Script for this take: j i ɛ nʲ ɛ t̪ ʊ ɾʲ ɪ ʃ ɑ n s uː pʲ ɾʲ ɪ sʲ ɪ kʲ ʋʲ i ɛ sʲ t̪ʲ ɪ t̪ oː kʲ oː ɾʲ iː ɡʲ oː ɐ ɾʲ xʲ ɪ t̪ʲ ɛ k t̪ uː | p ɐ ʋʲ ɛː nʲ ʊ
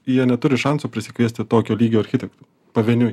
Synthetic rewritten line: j i ɛ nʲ ɛ t̪ ʊ ɾʲ ɪ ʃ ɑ n s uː pʲ ɾʲ ɪ sʲ ɪ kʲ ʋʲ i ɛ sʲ t̪ʲ ɪ t̪ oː kʲ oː lʲ iː ɡʲ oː ɐ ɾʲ xʲ ɪ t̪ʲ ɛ k t̪ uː | p ɐ ʋʲ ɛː nʲ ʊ